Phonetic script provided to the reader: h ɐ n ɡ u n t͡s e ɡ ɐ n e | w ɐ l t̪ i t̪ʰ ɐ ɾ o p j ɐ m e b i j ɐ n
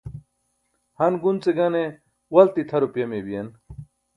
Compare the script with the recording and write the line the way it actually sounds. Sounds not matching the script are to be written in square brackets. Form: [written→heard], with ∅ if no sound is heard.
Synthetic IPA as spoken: h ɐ n ɡ u n t͡s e ɡ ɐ n e | w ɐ l t̪ i t̪ʰ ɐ ɾ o p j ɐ m e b i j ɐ n